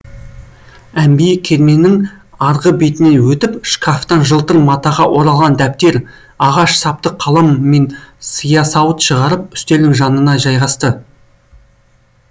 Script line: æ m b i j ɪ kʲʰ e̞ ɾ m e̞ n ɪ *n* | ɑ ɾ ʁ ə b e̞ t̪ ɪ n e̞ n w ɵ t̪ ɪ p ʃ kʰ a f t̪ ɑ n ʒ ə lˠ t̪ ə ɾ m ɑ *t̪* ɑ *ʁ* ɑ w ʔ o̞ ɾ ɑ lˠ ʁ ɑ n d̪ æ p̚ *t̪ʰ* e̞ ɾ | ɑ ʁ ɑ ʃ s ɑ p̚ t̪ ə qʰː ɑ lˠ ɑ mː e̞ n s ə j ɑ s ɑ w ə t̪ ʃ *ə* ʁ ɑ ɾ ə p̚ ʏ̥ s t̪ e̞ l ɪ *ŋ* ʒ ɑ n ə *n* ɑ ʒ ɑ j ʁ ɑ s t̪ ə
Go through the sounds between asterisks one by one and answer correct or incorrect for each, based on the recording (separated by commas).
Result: incorrect, correct, correct, incorrect, correct, correct, correct